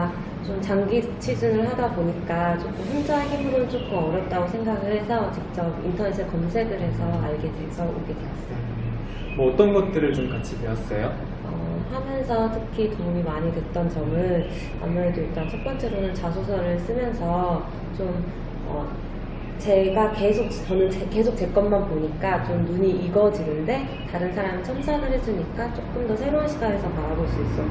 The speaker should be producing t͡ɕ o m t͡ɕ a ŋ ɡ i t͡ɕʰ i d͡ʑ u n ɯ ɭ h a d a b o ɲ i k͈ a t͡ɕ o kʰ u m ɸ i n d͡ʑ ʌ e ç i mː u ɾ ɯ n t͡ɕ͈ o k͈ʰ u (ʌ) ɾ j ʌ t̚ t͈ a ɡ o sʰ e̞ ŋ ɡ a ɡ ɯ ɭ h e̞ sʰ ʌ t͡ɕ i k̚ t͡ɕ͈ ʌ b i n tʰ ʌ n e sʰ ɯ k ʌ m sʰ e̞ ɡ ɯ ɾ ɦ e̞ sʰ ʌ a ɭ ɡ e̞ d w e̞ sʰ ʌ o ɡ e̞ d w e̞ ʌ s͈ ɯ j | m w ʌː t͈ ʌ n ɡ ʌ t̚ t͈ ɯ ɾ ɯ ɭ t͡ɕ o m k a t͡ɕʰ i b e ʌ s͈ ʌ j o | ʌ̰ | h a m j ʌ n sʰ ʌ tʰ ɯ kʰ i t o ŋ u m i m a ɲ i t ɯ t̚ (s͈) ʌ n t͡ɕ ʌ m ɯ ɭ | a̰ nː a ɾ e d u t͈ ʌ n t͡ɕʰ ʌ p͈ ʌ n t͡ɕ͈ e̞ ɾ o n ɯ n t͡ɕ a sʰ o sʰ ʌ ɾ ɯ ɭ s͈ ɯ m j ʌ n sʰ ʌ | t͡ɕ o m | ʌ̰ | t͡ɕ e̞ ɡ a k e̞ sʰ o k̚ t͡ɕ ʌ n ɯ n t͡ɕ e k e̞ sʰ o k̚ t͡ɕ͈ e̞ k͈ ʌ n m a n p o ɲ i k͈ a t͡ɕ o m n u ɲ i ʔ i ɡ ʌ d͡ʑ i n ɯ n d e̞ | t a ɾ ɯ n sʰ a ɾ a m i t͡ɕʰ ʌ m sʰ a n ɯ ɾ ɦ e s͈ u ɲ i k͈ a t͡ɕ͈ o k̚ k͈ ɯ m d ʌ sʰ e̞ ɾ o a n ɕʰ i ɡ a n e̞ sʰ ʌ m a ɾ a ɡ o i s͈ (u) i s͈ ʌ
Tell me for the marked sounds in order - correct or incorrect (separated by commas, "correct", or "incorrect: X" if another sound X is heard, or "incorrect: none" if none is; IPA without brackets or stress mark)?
correct, incorrect: t͈, correct